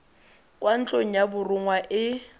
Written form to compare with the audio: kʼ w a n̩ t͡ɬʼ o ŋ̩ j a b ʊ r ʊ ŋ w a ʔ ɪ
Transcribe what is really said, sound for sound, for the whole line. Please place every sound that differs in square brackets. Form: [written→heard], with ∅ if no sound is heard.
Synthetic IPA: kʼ w a n̩ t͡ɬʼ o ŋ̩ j a b ʊ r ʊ ŋ w a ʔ ɪ

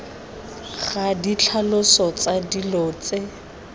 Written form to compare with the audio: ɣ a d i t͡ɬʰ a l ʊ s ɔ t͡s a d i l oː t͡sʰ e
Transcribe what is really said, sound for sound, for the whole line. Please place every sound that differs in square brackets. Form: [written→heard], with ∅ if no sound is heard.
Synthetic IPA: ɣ a d i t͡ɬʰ a l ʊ s ɔ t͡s a d i l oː [t͡sʰ→t͡s] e

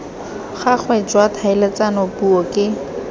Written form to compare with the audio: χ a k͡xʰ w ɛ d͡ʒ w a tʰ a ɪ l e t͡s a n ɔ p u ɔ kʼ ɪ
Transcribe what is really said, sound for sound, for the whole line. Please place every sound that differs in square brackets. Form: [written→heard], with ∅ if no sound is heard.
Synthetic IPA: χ a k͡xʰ w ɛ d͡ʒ w a tʰ a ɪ l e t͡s a n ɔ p u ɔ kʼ ɪ

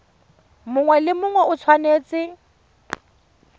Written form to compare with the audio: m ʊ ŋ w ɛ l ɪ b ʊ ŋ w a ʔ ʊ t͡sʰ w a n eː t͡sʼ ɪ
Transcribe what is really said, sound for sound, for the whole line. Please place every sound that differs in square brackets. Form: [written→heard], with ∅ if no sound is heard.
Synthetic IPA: m ʊ ŋ w ɛ l ɪ [b→m] ʊ ŋ w [a→ɛ] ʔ ʊ t͡sʰ w a n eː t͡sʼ ɪ

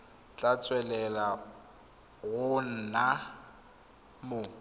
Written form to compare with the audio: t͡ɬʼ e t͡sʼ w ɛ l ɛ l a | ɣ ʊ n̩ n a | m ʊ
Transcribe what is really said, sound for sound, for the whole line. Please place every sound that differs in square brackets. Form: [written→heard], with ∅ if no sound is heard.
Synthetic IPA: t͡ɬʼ [e→a] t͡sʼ w ɛ l ɛ l a | ɣ ʊ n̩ n a | m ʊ

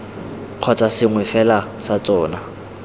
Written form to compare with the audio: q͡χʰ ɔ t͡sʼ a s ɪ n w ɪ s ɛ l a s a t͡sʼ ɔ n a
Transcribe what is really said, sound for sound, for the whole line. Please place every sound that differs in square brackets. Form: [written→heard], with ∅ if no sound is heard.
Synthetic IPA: q͡χʰ ɔ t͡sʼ a s ɪ [n→ŋ] w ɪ [s→f] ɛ l a s a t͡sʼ [ɔ→ɔː] n a

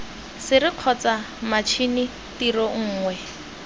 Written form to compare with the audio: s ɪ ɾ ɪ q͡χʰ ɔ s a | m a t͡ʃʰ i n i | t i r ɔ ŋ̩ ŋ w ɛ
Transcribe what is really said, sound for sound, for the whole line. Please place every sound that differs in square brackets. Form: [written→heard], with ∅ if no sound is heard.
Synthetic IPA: s ɪ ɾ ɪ q͡χʰ ɔ [s→t͡s] a | m a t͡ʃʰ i n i | t i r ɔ [ŋ̩→ŋ̩ː] ŋ w ɛ

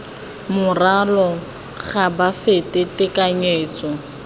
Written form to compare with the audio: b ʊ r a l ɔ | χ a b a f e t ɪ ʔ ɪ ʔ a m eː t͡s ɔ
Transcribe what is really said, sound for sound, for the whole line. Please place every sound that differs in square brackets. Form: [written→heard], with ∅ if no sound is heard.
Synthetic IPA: [b→m] ʊ r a l ɔ | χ a b a f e t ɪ [ʔ→t] ɪ [ʔ→k] a [m→ɲ] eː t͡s ɔ

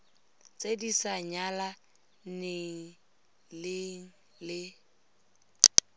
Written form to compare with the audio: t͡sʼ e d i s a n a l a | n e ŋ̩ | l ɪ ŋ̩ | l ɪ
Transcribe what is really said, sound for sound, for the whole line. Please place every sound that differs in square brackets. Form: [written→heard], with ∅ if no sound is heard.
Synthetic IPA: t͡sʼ e d i s a [n→ɲ] a l a | n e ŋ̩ | l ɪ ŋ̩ | l ɪ

